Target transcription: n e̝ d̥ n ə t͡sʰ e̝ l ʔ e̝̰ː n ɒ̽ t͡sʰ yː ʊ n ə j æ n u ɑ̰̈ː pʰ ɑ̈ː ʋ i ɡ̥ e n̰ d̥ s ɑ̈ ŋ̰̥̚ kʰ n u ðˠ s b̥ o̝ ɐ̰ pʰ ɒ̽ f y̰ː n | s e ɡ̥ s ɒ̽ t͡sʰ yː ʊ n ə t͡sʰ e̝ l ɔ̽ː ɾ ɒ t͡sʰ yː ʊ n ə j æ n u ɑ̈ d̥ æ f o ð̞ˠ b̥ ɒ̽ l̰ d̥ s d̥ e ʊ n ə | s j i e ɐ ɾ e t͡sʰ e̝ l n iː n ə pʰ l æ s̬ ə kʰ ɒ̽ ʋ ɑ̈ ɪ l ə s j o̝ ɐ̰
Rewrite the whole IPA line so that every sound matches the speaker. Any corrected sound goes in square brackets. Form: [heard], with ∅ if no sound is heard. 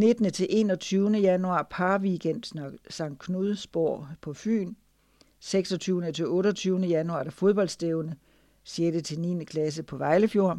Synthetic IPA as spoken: n e̝ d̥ n ə t͡sʰ e̝ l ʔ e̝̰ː n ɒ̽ t͡sʰ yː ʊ n ə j æ n u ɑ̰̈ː pʰ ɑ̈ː ʋ i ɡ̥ e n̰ d̥ s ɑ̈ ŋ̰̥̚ kʰ n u ðˠ s b̥ o̝ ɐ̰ pʰ ɒ̽ f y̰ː n | s e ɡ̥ s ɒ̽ t͡sʰ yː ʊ n ə t͡sʰ e̝ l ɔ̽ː ɾ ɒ t͡sʰ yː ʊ n ə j æ n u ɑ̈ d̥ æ f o ð̞ˠ b̥ ɒ̽ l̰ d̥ s d̥ e ʊ n ə | s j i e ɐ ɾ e t͡sʰ e̝ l n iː n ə [kʰ] l æ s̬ ə [pʰ] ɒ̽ ʋ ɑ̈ ɪ l ə [f] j o̝ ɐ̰